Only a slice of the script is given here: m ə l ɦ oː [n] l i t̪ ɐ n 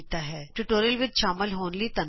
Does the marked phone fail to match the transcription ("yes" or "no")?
no